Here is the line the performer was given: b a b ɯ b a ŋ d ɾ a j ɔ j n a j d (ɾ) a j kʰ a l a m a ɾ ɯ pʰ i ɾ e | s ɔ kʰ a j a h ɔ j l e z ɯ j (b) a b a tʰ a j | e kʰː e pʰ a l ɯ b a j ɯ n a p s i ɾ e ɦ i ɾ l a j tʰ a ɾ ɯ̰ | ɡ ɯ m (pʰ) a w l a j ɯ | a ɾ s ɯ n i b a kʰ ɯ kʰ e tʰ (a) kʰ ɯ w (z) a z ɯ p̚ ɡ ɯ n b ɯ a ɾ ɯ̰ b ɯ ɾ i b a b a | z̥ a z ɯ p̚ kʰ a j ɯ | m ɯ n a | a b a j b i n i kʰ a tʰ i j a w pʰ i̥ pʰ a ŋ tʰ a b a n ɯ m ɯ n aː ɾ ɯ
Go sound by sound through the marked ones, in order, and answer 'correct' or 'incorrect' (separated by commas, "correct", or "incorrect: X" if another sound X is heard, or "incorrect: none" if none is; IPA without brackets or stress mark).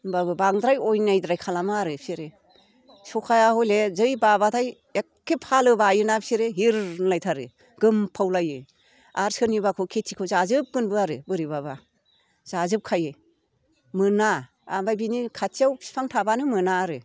correct, correct, correct, incorrect: i, correct